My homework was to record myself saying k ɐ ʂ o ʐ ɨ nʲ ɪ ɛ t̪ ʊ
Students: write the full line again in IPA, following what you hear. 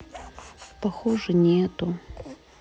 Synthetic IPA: p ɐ x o ʐ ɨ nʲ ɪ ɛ t̪ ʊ